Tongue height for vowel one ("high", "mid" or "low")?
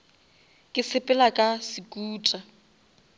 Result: high